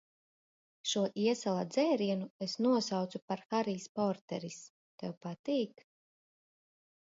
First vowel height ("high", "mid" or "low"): high